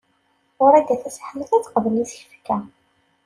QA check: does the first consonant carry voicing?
yes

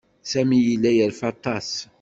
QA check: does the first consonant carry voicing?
no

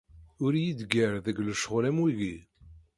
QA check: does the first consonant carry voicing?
yes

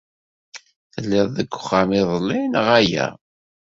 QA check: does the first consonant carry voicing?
no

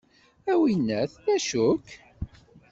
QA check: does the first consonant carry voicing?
yes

